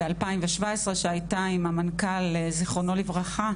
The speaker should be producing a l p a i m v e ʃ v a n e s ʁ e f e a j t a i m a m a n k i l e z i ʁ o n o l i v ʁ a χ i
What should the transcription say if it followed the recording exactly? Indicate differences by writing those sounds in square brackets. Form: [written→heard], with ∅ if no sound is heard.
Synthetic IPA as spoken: a l p a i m v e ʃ v a [n→∅] e s ʁ e [f→ʃ] e a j t a i m a m a n k [i→a] l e z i [ʁ→χ] o n o l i v ʁ a χ [i→a]

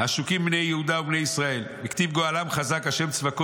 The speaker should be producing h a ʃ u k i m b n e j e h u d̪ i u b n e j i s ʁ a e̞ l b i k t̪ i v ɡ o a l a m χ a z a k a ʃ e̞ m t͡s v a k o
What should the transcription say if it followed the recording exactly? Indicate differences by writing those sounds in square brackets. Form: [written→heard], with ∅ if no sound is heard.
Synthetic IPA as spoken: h a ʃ u k i m b n e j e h u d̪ [i→a] u b n e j i s ʁ a e̞ l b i k t̪ i v ɡ o a l a m χ a z a k a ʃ e̞ m t͡s v a k o

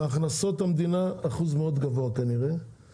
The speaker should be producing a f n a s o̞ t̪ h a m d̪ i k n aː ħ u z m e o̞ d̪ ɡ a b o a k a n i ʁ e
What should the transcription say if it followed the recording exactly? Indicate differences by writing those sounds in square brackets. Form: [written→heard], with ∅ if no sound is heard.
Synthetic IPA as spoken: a [f→χ] n a s o̞ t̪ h a m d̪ i [k→∅] n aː [ħ→χ] u z m e o̞ d̪ ɡ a [b→v] o a k a n i ʁ e

